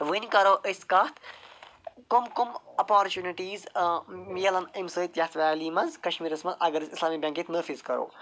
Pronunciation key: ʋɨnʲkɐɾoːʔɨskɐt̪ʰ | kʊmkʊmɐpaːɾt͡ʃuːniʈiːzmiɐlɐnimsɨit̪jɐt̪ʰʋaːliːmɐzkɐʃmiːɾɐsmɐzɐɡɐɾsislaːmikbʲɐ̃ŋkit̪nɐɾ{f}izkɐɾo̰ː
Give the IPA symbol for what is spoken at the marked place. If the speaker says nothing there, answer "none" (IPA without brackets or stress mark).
f